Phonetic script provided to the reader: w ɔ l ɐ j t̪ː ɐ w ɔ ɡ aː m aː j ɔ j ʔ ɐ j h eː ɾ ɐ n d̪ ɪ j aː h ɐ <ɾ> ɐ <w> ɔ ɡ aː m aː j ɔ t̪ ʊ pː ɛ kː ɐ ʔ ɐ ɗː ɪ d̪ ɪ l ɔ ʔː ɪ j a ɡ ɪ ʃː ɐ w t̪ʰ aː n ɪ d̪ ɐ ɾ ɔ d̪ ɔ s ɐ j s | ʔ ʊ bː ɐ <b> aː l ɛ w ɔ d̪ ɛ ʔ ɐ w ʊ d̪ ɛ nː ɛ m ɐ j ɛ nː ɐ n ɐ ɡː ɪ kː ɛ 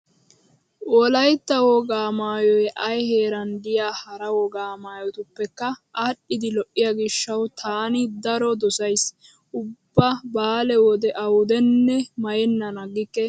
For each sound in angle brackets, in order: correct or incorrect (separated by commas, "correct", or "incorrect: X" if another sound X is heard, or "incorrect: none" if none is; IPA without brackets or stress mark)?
correct, correct, correct